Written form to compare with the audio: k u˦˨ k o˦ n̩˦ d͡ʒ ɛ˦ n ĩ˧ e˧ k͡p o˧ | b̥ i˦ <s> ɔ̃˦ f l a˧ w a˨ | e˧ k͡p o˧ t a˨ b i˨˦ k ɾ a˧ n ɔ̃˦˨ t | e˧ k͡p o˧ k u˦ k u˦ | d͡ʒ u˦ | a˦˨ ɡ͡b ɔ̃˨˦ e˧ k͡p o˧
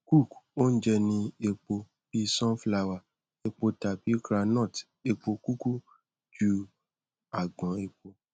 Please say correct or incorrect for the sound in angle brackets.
correct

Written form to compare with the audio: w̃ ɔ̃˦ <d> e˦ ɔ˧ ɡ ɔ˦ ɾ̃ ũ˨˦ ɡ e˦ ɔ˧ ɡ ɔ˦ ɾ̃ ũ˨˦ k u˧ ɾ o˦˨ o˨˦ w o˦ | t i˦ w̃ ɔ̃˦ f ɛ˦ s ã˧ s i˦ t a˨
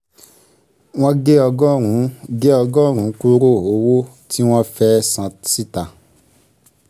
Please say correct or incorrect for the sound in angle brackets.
incorrect: ɡ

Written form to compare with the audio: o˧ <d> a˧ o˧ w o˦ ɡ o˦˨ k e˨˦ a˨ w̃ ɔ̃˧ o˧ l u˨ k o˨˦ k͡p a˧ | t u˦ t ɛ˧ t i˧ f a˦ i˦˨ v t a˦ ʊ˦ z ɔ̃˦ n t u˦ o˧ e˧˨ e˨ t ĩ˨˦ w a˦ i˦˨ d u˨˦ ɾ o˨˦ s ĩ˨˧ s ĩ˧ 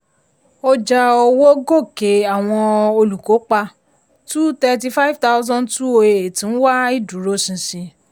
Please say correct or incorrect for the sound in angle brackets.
incorrect: d͡ʒ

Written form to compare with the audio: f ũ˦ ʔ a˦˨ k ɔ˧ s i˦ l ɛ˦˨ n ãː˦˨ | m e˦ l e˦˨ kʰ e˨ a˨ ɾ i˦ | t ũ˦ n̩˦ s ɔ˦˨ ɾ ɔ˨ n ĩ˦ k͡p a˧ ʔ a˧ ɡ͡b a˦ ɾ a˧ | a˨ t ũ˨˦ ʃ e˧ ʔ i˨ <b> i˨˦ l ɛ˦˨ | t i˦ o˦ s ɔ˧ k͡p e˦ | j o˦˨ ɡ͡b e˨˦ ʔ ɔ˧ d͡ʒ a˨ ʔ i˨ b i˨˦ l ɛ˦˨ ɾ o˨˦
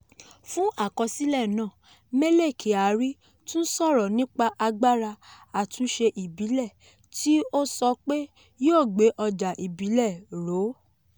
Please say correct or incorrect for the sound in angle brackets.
correct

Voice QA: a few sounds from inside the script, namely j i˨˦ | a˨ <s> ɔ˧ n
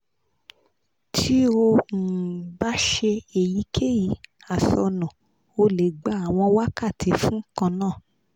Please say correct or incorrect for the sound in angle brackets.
correct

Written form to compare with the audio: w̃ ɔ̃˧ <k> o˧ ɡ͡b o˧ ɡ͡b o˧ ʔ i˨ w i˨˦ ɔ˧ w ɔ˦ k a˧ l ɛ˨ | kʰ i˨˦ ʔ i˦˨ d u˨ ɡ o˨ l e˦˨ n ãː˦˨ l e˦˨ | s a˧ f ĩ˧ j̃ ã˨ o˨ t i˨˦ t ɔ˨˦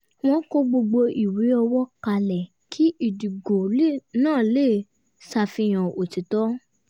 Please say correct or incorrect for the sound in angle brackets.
correct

